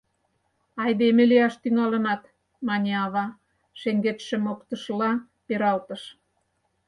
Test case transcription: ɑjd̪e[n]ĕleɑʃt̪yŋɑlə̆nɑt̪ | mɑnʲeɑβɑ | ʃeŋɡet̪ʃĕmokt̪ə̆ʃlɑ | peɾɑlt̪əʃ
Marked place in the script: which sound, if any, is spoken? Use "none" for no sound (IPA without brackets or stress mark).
m